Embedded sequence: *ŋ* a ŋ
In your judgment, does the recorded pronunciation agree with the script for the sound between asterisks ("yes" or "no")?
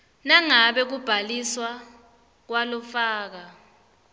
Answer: no